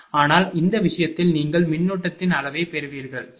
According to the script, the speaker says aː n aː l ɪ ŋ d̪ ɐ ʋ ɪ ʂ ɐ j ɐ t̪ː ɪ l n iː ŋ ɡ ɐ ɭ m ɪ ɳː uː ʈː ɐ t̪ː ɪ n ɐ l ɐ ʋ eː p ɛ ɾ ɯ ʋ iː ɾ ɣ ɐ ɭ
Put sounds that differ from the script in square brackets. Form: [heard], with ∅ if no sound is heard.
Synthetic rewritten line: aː n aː l ɪ [n] d̪ ɐ ʋ ɪ ʂ ɐ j ɐ t̪ː ɪ l n iː ŋ ɡ ɐ ɭ m ɪ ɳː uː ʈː ɐ t̪ː ɪ n ɐ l ɐ ʋ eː p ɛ ɾ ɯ ʋ iː ɾ ɣ ɐ ɭ